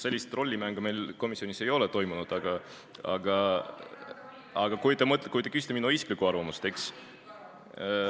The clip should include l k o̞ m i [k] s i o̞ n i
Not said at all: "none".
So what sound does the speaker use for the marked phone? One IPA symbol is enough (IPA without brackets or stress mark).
none